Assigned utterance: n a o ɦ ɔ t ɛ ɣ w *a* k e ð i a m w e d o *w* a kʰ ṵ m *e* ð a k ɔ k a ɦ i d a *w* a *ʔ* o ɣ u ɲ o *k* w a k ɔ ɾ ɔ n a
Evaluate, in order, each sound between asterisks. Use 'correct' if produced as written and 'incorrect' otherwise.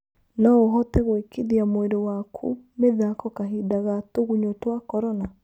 incorrect: e, correct, correct, incorrect: ɣ, incorrect: t, incorrect: t

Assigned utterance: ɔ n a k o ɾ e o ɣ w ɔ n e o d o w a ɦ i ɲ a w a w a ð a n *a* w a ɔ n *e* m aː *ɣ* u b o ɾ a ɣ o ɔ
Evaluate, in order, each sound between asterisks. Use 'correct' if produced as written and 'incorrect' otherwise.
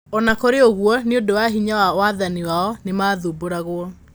incorrect: i, correct, incorrect: ð

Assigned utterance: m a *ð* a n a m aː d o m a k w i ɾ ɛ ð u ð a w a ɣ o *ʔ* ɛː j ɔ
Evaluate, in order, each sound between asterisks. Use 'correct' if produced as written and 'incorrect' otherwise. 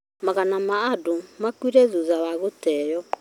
incorrect: ɣ, incorrect: t

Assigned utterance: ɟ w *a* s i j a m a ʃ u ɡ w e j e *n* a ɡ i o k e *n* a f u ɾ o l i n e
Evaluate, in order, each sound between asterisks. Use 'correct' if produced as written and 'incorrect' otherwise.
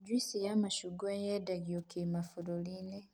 incorrect: i, incorrect: d, incorrect: m

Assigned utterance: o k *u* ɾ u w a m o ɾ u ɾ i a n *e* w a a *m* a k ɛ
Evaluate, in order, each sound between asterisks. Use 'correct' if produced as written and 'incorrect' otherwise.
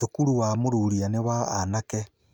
correct, correct, incorrect: n

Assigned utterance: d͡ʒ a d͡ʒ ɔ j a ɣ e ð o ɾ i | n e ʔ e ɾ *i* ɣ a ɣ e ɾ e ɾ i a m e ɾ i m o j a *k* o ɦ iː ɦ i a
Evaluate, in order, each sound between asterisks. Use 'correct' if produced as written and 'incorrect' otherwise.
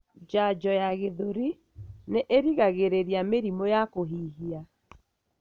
correct, correct

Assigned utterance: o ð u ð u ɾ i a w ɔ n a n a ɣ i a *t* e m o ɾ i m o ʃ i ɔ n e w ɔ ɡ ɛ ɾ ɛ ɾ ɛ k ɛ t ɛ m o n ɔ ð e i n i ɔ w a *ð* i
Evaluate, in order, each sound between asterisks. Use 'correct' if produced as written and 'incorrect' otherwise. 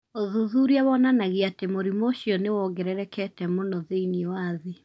correct, correct

